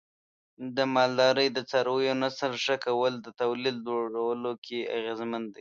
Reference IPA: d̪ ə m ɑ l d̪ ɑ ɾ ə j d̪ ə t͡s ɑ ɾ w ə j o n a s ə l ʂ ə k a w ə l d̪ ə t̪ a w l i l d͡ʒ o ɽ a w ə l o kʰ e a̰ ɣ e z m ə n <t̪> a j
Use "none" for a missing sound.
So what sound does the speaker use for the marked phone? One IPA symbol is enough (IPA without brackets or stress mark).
d̪